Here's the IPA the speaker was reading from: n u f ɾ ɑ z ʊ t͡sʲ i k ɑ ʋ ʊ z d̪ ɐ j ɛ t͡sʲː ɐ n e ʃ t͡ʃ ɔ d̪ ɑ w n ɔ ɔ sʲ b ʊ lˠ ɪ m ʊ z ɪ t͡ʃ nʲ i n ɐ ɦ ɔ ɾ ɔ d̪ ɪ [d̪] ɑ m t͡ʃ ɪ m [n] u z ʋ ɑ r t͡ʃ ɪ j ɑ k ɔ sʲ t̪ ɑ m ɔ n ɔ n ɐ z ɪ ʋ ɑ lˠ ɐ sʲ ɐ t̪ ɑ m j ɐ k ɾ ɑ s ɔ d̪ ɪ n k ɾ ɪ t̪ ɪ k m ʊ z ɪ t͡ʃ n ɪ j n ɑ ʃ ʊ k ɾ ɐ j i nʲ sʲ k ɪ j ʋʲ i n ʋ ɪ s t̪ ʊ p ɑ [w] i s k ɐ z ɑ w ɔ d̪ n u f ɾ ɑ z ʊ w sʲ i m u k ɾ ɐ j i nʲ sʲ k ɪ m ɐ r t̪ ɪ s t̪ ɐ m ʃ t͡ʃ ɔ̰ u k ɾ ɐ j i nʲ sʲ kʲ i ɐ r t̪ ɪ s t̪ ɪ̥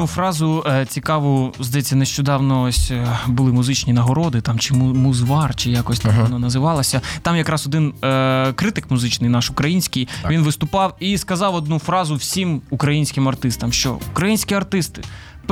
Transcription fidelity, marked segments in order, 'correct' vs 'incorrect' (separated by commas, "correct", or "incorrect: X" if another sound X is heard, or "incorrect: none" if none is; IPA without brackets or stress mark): incorrect: t̪, incorrect: m, correct